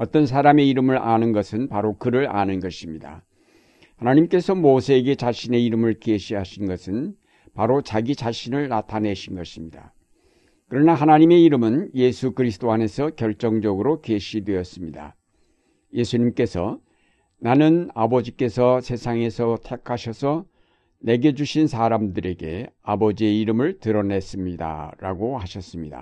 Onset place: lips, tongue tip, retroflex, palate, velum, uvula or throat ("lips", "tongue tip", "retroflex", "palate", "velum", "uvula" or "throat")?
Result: tongue tip